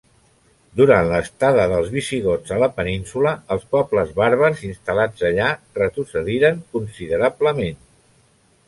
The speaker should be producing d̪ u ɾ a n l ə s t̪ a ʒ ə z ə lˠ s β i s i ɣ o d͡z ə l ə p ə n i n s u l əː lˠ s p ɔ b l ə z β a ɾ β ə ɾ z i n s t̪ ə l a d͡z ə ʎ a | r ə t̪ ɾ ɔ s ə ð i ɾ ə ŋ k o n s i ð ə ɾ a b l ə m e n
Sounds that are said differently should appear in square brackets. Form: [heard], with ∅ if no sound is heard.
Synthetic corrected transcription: d̪ u ɾ a n l ə s t̪ a [ð] ə [ð] ə lˠ [z] β i s i ɣ o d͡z ə l ə p ə n i n s u l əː lˠ s p ɔ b l ə z β a ɾ β ə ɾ z i n s t̪ ə l a d͡z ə ʎ a | r ə t̪ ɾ [u] s ə ð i ɾ ə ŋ k [u] n s i ð ə ɾ a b l ə m e n